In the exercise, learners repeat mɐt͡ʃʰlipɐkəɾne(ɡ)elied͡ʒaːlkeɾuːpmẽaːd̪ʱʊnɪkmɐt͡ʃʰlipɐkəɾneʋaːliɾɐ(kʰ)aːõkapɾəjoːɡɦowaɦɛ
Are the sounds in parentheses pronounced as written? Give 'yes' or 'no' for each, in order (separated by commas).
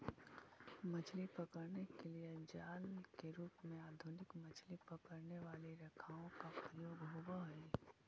no, yes